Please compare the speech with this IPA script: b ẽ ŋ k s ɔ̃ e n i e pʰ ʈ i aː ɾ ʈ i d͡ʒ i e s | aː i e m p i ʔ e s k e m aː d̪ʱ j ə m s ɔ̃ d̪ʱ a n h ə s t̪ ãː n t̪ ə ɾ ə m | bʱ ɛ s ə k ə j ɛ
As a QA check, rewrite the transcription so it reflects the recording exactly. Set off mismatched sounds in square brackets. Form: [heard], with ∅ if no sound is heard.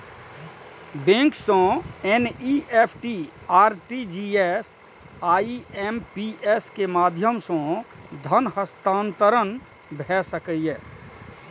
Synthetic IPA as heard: b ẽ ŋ k s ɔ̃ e n i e pʰ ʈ i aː ɾ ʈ i d͡ʒ i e s | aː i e m p i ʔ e s k e m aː d̪ʱ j ə m s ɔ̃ d̪ʱ [ə] n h ə s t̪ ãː n t̪ ə ɾ ə [n] | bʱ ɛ s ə k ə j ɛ